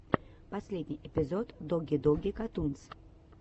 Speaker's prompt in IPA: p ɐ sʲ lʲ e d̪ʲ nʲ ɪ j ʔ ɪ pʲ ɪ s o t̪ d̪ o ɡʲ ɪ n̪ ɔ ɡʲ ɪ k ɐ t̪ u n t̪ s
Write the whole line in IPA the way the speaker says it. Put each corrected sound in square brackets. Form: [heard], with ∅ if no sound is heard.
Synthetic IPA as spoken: p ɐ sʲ lʲ e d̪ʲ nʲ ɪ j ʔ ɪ pʲ ɪ [z] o t̪ d̪ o ɡʲ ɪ [d̪] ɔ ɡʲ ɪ k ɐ t̪ u n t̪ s